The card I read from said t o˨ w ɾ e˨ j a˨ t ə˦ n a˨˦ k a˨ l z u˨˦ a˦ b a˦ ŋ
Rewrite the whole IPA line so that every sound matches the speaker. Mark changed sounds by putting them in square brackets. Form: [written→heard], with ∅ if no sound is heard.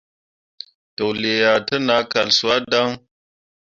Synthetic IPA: t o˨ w [ɾ→l] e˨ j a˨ t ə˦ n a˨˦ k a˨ l [z→s] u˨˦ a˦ [b→d] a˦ ŋ